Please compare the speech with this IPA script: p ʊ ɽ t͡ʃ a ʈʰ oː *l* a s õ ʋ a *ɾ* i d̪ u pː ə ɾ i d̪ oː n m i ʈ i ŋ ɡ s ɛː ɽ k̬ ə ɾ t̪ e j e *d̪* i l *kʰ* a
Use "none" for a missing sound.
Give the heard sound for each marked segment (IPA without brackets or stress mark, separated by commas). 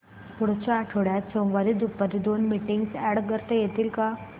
ɽ, ɾ, t̪, k